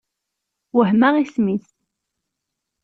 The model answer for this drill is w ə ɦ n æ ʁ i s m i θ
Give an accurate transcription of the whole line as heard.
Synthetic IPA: w ə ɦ m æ ʁ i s m i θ